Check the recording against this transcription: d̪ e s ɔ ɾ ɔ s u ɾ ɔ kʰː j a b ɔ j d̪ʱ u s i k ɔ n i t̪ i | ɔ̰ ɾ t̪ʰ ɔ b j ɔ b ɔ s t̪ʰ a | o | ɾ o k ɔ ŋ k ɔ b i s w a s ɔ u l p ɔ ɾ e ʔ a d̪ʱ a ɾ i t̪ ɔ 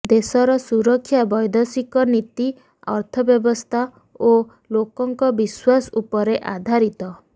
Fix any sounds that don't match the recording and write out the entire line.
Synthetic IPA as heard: d̪ e s ɔ ɾ ɔ s u ɾ ɔ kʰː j a b ɔ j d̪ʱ ɔ s i k ɔ n i t̪ i | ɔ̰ ɾ t̪ʰ ɔ b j ɔ b ɔ s t̪ʰ a | o | l o k ɔ ŋ k ɔ b i s w a s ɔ u p ɔ ɾ e ʔ a d̪ʱ a ɾ i t̪ ɔ